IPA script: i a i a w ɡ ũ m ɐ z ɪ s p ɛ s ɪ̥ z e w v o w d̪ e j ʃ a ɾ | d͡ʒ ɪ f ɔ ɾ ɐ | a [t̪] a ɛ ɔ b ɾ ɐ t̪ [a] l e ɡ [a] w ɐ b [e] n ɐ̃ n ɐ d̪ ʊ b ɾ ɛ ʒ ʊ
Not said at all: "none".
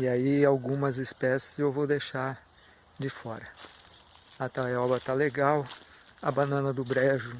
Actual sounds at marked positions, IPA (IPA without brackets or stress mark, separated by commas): t̪, a, a, a